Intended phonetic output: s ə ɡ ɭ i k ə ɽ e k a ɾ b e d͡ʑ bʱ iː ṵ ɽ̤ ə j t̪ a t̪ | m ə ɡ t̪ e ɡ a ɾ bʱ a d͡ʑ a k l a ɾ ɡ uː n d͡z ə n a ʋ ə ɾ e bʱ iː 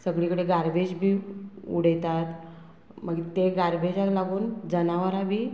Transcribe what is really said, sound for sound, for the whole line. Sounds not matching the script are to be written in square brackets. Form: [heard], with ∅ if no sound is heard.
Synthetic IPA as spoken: s ə ɡ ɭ i k ə ɽ e [ɡ] a ɾ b e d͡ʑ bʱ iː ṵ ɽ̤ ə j t̪ a t̪ | m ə ɡ t̪ e ɡ a ɾ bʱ [e] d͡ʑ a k l a [∅] ɡ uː n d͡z ə n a ʋ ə ɾ [a] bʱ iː